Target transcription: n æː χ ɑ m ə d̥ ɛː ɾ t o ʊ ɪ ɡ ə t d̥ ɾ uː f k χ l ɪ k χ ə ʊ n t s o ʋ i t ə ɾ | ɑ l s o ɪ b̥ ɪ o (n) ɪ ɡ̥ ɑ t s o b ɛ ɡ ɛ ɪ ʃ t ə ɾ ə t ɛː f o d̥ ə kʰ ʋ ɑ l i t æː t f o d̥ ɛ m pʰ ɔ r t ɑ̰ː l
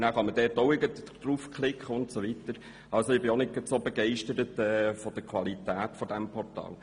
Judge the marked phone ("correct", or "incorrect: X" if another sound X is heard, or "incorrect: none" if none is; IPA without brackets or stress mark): correct